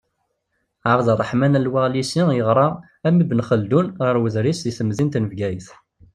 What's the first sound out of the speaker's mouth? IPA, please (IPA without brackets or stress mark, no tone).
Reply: ʕ